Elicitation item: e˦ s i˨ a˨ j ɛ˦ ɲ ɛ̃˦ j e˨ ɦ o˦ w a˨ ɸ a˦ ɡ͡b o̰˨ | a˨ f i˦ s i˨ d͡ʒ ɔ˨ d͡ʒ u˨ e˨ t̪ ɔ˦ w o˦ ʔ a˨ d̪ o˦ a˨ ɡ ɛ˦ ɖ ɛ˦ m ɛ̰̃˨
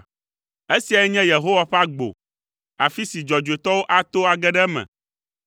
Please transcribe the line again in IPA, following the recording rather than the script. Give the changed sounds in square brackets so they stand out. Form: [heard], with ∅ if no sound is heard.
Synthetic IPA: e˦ s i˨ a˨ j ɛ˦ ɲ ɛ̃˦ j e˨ ɦ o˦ w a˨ ɸ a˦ ɡ͡b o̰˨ | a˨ f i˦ s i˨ d͡ʒ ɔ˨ d͡ʒ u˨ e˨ t̪ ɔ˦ w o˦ ʔ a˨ [t̪] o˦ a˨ ɡ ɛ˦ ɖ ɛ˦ m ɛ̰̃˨